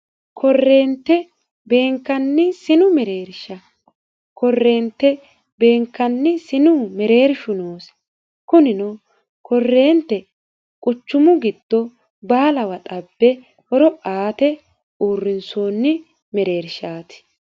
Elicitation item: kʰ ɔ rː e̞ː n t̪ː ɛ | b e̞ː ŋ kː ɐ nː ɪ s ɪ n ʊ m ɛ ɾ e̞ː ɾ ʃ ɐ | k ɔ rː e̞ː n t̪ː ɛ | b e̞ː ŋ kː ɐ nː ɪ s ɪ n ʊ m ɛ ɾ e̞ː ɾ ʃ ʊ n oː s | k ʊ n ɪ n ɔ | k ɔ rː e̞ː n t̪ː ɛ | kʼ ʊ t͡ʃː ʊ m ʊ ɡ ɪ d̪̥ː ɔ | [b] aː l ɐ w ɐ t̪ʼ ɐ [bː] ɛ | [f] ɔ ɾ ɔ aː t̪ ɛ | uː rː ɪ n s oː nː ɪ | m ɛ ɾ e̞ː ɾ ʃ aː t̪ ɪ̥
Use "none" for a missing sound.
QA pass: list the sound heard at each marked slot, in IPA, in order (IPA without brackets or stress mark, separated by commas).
b, bː, h